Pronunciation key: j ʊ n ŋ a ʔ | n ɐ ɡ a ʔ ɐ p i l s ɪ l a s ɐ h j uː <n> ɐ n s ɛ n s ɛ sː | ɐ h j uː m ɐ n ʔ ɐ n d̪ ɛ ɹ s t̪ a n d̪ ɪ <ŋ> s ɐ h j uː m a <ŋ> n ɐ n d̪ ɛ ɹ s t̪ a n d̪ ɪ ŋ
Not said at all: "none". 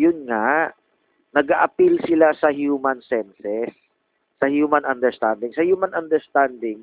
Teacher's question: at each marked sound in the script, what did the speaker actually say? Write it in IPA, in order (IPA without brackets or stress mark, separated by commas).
m, ŋ, none